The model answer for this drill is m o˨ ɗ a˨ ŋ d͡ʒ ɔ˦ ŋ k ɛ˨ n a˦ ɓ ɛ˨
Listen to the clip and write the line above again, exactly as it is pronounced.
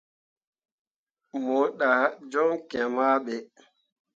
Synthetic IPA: m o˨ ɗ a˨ d͡ʒ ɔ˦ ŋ k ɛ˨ m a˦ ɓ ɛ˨